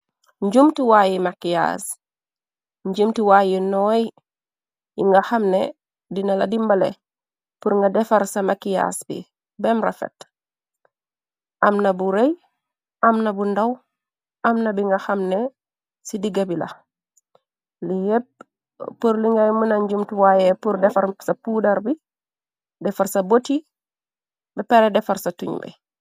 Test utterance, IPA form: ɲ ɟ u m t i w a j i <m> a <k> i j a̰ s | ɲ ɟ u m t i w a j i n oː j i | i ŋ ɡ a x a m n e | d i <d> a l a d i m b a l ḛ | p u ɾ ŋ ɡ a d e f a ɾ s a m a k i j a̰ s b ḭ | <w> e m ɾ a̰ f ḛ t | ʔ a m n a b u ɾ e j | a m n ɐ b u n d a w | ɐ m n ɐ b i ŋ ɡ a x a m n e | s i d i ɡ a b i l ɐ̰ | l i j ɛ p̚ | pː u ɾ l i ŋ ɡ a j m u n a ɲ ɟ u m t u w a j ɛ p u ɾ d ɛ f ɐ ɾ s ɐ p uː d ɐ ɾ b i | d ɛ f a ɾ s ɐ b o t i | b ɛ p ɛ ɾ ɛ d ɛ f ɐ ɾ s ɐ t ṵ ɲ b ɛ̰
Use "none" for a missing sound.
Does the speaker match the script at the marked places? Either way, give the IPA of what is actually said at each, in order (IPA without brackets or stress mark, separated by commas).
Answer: m, k, n, b